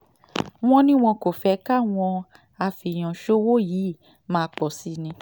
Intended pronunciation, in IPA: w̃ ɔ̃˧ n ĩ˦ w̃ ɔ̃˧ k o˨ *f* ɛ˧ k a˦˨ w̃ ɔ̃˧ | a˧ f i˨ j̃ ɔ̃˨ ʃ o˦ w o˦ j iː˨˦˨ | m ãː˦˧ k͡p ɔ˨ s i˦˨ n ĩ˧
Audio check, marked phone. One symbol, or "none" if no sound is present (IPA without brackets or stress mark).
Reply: f